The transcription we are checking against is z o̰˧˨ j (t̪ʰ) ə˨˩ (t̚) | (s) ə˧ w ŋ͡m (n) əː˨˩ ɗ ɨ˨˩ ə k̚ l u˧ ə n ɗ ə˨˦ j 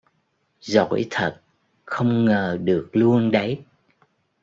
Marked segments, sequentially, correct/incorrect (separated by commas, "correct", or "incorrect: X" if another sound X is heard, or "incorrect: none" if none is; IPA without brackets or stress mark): correct, correct, incorrect: x, incorrect: ŋ